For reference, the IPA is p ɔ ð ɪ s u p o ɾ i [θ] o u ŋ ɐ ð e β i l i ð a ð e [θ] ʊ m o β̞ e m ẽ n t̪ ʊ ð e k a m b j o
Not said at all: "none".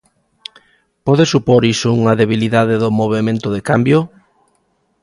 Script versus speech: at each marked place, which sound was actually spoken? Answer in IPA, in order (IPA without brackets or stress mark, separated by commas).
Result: s, ð